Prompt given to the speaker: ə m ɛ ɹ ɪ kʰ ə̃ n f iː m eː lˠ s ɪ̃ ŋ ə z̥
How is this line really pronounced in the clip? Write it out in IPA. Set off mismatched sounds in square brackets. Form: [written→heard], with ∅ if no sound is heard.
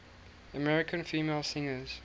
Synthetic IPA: ə m ɛ ɹ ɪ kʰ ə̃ n f iː m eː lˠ s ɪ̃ ŋ ə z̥

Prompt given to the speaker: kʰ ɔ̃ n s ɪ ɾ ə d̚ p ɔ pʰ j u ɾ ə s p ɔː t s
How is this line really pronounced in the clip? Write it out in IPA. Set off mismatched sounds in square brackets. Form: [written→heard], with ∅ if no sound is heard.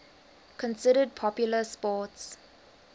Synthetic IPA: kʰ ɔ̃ n s ɪ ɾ ə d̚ [p→pʰ] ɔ [pʰ→p] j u [ɾ→l] ə s p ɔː t s

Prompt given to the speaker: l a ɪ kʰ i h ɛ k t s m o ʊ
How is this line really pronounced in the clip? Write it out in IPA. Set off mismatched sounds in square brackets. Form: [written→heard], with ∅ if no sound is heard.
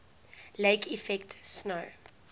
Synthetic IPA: l [a→e] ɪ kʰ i [h→f] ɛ k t s [m→n] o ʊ

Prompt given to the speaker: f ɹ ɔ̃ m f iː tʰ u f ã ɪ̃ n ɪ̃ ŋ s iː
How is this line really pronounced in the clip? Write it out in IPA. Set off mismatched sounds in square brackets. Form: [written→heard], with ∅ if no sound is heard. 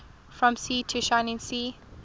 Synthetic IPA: f ɹ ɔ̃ m [f→s] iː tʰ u [f→ʃ] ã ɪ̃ n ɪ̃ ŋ s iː

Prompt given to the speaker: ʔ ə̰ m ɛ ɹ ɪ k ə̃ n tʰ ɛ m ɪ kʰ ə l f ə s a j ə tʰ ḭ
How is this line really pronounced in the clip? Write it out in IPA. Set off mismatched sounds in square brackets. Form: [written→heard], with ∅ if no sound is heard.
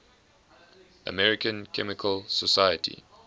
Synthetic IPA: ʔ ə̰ m ɛ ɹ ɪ k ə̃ n [tʰ→kʰ] ɛ m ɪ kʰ ə l [f→s] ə s a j ə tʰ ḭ

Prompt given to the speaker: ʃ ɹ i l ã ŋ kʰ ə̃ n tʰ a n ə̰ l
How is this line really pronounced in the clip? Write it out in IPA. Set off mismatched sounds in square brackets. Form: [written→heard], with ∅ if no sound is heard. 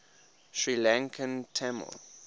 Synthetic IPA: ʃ ɹ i l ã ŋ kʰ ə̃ n tʰ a [n→m] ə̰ l

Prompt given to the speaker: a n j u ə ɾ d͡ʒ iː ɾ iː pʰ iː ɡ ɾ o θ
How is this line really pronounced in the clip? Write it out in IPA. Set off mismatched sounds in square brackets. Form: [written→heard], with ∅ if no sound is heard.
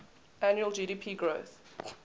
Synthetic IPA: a n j u ə [ɾ→l] d͡ʒ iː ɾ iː pʰ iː ɡ [ɾ→ɹ] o θ

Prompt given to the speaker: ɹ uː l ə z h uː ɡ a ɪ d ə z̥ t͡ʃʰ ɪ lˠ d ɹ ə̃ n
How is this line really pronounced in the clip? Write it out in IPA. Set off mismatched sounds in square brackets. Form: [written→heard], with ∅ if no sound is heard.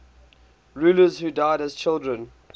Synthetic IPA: ɹ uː l ə z h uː [ɡ→d] a ɪ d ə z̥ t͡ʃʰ ɪ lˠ d ɹ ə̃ n

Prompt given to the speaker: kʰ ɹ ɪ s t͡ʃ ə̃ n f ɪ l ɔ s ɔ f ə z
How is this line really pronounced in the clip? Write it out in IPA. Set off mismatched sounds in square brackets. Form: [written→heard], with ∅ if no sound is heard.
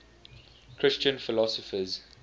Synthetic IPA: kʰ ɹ ɪ s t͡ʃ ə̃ n f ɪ l ɔ s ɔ f ə z

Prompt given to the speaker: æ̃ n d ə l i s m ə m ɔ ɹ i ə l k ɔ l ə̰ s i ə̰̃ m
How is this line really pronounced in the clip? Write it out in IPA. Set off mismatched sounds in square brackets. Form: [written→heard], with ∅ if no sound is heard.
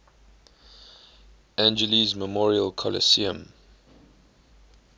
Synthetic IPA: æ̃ n [d→d͡ʒ] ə l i [s→z] m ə m ɔ ɹ i ə l [k→kʰ] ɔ l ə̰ s i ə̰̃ m

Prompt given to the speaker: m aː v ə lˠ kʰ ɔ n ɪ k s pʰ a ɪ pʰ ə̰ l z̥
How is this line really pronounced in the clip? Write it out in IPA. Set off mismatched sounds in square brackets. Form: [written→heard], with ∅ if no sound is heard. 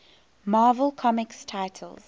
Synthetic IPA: m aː v ə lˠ kʰ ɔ [n→m] ɪ k s [pʰ→tʰ] a ɪ [pʰ→tʰ] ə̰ l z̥

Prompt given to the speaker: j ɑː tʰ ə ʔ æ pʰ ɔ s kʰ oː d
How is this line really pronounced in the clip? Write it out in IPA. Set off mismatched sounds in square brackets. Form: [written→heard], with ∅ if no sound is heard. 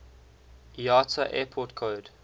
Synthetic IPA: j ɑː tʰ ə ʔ [æ→ɛ] pʰ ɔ [s→t] kʰ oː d

